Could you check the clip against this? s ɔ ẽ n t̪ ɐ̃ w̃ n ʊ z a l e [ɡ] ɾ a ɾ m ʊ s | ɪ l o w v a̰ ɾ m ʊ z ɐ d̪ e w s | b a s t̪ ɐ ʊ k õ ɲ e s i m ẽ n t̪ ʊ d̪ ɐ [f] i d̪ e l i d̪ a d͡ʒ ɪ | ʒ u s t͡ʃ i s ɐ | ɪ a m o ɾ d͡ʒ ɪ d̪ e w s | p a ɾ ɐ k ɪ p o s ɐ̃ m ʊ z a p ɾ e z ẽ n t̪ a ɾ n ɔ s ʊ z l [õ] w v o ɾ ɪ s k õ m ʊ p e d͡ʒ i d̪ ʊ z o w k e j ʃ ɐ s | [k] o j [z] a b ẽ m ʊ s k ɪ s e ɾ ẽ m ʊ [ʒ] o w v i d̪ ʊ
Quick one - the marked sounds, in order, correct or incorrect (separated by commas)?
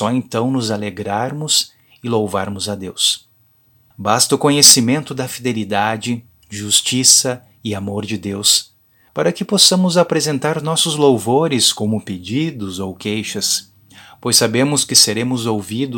correct, correct, incorrect, incorrect, incorrect, incorrect